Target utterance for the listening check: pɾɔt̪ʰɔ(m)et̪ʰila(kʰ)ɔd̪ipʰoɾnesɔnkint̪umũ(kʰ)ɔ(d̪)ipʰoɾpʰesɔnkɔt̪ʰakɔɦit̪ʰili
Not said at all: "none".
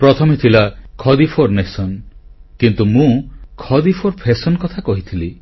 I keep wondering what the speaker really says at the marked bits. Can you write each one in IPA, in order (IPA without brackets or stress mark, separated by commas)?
m, kʰ, kʰ, d̪